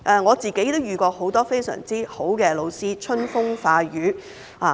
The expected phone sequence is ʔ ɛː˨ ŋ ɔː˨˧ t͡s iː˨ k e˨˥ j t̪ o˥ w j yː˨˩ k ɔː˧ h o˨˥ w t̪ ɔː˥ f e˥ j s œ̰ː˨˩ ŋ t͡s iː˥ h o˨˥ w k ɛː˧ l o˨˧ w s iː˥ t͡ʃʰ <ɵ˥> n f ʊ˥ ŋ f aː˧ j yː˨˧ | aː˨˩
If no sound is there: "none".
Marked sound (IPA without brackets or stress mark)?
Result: ɵ˥